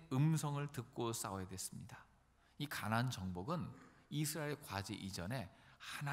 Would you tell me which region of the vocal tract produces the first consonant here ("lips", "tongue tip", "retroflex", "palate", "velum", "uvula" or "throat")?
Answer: lips